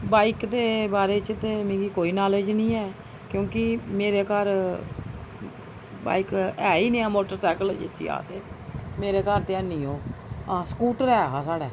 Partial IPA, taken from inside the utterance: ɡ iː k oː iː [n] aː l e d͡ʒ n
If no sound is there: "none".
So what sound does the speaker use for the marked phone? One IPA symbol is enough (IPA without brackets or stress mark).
n